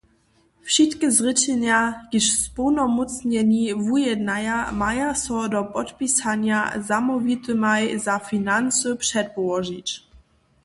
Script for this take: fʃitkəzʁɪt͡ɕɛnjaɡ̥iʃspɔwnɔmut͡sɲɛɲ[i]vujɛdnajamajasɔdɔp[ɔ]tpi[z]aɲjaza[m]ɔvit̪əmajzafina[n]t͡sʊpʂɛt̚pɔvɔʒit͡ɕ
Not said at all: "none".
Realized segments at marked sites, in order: i, ɔ, s, m, n

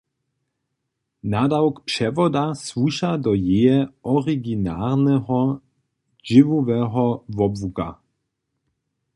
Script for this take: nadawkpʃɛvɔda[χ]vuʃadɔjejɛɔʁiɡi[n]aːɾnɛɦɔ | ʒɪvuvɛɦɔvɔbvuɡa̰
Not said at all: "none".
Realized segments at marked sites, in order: s, n

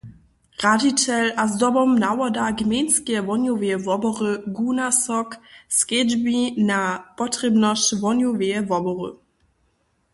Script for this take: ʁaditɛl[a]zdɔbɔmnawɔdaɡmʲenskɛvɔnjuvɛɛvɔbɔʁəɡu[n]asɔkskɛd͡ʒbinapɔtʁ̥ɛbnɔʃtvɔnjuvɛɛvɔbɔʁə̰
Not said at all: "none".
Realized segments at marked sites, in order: a, n

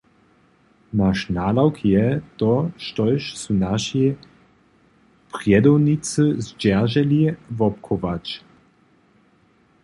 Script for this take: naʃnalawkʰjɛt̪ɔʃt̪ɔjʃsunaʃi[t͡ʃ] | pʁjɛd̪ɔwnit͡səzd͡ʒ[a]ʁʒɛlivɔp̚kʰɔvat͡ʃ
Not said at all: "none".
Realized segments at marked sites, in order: none, ɛ

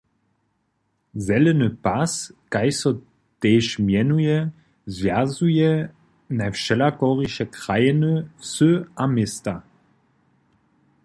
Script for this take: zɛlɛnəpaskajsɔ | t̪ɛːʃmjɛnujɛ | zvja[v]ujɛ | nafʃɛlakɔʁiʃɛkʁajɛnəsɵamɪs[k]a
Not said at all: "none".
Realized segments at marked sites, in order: z, t

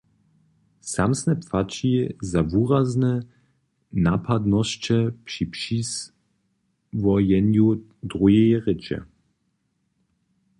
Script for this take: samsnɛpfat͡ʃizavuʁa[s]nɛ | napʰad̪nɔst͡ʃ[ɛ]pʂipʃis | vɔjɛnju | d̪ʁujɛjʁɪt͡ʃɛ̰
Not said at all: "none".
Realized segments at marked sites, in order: z, ɛ

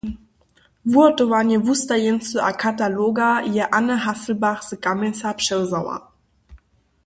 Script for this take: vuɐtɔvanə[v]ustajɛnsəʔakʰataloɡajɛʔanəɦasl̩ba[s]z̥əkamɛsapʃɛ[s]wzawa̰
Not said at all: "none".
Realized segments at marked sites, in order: v, χ, none

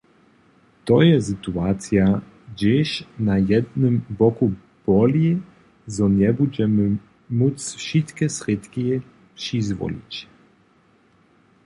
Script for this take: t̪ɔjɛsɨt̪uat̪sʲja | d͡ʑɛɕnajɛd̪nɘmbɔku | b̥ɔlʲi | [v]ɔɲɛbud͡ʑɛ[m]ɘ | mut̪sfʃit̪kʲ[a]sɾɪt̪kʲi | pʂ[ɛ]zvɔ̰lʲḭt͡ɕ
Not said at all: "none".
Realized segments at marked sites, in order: z, m, ɛ, i

